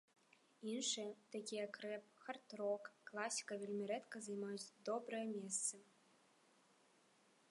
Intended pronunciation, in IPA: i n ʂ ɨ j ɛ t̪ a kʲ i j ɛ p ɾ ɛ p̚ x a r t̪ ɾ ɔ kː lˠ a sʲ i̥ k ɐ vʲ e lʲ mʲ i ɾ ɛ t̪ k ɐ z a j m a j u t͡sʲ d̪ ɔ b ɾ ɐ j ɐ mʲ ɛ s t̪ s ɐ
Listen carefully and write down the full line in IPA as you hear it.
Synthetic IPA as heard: i n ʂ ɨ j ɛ t̪ a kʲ i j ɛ k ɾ ɛ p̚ x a r t̪ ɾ ɔ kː lˠ a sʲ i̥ k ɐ vʲ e lʲ mʲ i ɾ ɛ t̪ k ɐ z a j m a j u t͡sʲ d̪ ɔ b ɾ ɐ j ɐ mʲ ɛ s t̪ s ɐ